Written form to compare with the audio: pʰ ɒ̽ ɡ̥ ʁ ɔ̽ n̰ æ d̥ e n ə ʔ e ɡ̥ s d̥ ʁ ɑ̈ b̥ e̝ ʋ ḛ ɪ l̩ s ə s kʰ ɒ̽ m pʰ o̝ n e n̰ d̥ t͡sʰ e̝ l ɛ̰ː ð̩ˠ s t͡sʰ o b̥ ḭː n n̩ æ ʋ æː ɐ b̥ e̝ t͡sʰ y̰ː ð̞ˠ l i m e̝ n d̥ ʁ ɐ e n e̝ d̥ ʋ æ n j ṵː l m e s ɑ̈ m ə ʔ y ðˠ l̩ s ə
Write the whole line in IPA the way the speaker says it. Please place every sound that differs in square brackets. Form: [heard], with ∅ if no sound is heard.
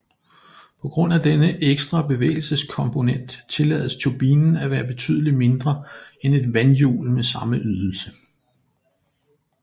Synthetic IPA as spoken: pʰ ɒ̽ ɡ̥ ʁ ɔ̽ n̰ æ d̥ e n ə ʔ e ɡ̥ s d̥ ʁ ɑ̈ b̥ e̝ ʋ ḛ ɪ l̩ s ə s kʰ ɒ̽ m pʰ o̝ n e n̰ d̥ t͡sʰ e̝ l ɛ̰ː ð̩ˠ s t͡sʰ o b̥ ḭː n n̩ æ ʋ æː ɐ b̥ e̝ t͡sʰ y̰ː ð̞ˠ l i m e̝ n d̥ ʁ ɐ e n e̝ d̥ ʋ æ n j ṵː l m e s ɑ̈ m ə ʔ y ðˠ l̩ s ə